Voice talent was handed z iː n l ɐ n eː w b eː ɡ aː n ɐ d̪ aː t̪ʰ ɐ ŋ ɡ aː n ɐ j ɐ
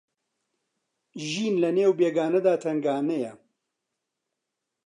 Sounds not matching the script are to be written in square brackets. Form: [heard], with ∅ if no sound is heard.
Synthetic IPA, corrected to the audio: [ʒ] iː n l ɐ n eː w b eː ɡ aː n ɐ d̪ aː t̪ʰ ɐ ŋ ɡ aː n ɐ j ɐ